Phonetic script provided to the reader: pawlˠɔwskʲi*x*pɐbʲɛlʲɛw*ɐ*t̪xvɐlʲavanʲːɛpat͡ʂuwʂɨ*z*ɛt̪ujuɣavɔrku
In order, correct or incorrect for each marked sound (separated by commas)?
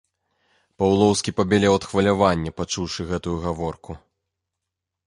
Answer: incorrect, correct, incorrect